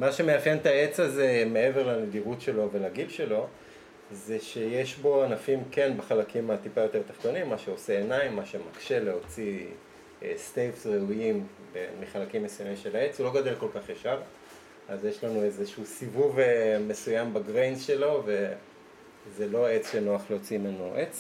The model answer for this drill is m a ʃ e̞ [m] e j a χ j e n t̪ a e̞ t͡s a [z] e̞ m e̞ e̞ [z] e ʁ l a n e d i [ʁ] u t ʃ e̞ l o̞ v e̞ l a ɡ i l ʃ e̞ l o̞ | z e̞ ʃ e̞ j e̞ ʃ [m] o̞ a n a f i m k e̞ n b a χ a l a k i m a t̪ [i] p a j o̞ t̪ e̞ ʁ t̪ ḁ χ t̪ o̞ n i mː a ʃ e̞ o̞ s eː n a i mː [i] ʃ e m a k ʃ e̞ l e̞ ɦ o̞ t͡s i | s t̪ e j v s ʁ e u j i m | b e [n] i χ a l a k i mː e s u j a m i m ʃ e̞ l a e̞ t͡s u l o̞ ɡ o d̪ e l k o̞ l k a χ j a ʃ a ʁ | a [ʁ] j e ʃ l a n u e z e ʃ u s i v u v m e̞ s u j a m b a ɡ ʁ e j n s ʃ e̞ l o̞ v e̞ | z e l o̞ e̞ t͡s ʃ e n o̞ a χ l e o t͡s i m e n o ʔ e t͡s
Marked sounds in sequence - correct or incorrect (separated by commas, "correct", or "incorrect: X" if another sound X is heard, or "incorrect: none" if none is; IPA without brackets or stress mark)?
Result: correct, correct, incorrect: v, correct, incorrect: b, correct, incorrect: a, incorrect: m, incorrect: z